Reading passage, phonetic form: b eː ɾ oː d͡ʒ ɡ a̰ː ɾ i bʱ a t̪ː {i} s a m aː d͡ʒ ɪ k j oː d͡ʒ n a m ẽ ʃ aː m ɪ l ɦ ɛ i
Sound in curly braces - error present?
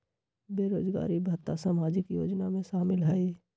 yes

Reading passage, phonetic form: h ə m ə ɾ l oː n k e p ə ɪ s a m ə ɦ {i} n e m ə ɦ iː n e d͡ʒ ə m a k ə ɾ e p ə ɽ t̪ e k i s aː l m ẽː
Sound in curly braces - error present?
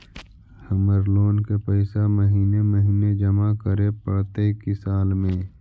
yes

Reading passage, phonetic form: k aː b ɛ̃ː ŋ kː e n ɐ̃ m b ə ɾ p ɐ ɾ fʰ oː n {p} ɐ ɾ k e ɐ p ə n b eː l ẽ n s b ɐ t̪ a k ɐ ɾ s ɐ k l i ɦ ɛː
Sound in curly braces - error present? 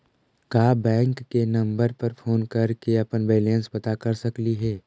yes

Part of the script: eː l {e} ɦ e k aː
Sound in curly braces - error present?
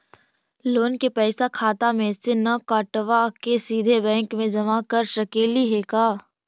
yes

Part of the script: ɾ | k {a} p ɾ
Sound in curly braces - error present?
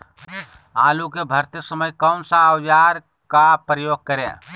no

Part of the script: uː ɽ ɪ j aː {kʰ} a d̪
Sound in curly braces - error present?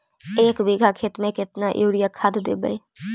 no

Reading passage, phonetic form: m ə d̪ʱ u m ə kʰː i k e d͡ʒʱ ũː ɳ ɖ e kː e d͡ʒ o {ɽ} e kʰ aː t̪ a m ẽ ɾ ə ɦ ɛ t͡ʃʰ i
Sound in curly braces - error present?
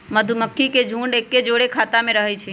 no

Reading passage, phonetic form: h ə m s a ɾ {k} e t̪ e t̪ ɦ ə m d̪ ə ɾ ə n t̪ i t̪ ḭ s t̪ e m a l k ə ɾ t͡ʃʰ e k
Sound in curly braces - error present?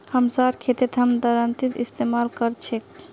yes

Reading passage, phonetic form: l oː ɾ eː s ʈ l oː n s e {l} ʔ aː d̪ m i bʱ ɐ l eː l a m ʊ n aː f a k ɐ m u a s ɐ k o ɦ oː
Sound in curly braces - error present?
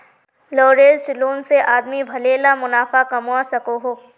yes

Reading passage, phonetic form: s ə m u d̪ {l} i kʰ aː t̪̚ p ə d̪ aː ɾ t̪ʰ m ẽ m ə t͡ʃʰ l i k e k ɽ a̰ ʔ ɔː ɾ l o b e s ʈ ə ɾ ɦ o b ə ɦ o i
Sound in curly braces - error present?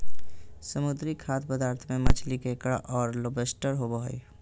yes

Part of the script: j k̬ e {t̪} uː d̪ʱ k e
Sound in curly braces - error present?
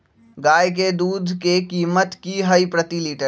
yes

